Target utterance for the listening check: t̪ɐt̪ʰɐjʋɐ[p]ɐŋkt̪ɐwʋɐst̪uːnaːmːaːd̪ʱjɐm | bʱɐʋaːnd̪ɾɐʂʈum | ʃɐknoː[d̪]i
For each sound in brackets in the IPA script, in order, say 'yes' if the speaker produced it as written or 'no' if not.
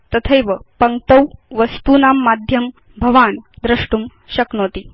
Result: yes, no

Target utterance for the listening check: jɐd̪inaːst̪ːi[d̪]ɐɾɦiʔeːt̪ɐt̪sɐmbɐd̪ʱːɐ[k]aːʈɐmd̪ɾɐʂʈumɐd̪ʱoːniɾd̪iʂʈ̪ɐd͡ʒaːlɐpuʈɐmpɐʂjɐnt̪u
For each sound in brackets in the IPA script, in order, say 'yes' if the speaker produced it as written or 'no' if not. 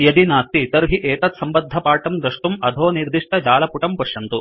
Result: no, no

